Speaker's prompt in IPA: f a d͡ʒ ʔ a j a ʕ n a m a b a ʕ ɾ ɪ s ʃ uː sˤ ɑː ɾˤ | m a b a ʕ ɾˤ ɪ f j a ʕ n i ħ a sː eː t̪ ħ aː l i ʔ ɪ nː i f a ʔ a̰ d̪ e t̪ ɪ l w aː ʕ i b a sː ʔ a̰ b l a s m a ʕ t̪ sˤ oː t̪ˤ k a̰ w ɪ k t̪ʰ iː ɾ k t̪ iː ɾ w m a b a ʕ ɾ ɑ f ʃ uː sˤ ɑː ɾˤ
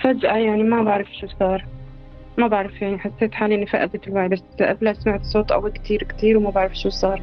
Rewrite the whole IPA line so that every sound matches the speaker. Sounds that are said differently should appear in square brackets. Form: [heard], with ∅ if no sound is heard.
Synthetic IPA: f a d͡ʒ ʔ a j a ʕ n [i] m a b a ʕ ɾ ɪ [f] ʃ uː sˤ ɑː ɾˤ | m a b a ʕ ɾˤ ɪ f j a ʕ n i ħ a sː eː t̪ ħ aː l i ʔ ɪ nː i f a ʔ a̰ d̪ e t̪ ɪ l w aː ʕ i b a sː ʔ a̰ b l a s m a ʕ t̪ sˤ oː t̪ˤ [ʔ] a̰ w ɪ k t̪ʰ iː ɾ k t̪ iː ɾ w m a b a ʕ ɾ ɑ f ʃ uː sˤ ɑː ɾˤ